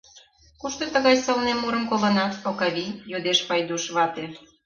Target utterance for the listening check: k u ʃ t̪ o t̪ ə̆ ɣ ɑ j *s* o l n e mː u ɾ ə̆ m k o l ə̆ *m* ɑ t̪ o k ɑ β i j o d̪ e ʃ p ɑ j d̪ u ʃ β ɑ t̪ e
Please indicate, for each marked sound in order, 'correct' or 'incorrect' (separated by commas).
correct, incorrect